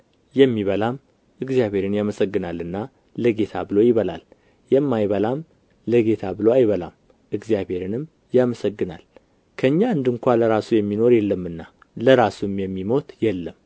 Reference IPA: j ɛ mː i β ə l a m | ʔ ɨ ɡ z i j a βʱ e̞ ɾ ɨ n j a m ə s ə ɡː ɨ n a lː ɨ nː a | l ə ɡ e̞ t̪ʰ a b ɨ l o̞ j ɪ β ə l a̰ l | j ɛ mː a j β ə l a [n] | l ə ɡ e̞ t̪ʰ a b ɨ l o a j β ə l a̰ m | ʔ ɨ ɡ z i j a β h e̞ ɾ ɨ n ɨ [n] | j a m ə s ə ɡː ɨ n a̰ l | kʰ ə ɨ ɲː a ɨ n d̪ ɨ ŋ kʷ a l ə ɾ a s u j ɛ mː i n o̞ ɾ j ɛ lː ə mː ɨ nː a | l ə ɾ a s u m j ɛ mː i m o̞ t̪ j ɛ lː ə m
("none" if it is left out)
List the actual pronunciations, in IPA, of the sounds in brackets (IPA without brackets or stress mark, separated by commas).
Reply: m, m